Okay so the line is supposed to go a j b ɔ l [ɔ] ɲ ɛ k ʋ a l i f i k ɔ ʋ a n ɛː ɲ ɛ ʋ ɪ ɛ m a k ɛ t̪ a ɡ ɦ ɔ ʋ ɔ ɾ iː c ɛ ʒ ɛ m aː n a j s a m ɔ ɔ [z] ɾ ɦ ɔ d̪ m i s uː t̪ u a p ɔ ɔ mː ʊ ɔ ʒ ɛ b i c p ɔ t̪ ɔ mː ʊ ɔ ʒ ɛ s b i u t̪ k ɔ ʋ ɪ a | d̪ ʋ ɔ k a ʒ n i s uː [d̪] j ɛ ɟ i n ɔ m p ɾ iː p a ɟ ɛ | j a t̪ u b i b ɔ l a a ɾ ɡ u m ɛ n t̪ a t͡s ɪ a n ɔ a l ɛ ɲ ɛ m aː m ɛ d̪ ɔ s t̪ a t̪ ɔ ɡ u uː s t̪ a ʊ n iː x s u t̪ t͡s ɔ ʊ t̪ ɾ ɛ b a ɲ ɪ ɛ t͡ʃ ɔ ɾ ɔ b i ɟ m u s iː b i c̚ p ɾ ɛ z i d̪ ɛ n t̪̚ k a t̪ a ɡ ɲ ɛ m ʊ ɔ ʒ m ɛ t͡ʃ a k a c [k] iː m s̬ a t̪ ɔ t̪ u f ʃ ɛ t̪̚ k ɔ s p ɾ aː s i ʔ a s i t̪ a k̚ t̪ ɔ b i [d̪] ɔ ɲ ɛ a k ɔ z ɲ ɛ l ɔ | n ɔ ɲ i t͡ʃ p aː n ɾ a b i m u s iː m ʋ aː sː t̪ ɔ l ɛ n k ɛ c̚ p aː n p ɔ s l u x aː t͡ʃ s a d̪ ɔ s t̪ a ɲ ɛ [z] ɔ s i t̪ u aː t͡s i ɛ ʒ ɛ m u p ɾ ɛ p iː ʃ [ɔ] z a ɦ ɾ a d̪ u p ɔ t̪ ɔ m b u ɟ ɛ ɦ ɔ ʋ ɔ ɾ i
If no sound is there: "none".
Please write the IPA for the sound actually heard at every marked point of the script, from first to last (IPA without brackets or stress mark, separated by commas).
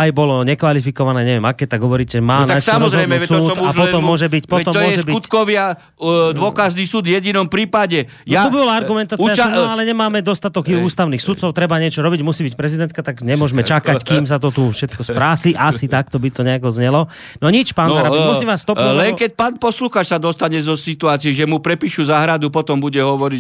ɔ, z, d̪, k, t̪, z, u